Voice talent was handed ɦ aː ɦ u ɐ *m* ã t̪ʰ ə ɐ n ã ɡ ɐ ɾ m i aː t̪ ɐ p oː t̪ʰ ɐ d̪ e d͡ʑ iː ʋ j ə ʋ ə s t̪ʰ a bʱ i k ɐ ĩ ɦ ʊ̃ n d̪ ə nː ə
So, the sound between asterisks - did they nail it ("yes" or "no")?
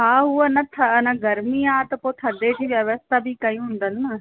no